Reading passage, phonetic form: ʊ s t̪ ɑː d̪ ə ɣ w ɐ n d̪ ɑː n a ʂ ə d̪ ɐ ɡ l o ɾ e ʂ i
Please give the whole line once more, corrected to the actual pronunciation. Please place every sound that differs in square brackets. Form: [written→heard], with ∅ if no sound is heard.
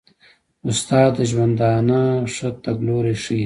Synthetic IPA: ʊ s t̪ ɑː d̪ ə [ɣ→ʒ] w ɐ n d̪ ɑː n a ʂ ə [d̪→t̪] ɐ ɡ l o ɾ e ʂ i